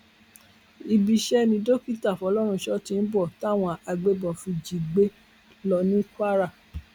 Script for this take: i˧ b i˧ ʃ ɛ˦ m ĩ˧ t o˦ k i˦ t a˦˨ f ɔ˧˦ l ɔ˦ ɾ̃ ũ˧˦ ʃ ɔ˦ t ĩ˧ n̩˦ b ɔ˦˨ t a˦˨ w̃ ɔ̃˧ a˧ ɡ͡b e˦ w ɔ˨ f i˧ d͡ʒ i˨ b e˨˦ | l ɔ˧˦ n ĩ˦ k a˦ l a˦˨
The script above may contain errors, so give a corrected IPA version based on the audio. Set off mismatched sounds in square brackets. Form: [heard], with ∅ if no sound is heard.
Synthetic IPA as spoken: i˧ b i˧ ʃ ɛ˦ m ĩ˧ [d] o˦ k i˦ t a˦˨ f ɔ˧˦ l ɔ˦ ɾ̃ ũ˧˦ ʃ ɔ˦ t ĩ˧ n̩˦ b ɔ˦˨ t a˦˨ w̃ ɔ̃˧ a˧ ɡ͡b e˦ [b] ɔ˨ f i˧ d͡ʒ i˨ [ɡ͡b] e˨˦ | l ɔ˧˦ n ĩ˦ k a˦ [ɾ] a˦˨